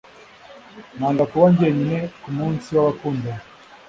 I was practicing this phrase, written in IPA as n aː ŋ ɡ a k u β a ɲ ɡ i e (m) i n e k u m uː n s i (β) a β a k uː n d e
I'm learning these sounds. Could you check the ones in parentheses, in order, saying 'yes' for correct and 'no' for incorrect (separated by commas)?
no, no